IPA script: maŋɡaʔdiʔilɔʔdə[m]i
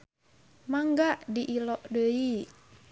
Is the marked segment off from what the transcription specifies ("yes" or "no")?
yes